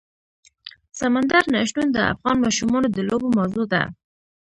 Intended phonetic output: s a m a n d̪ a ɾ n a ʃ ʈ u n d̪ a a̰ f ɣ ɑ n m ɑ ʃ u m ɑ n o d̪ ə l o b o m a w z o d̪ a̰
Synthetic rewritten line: s a m a n d̪ a ɾ n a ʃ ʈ u n d̪ ə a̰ f ɣ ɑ n m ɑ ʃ u m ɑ n o d̪ ə l o b o m a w z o d̪ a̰